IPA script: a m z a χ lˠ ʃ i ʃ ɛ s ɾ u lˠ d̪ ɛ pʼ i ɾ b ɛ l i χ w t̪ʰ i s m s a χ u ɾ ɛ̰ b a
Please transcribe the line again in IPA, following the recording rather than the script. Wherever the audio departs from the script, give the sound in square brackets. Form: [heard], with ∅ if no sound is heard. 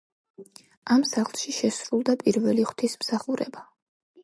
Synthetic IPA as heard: a m [s] a χ lˠ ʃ i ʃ ɛ s ɾ u lˠ d̪ [a] pʼ i ɾ [v] ɛ l i χ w t̪ʰ i s m s a χ u ɾ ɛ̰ b a